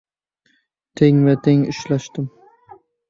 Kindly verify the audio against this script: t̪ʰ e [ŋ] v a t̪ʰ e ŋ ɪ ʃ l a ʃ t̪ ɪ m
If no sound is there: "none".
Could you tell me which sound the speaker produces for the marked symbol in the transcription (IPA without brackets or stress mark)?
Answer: ŋ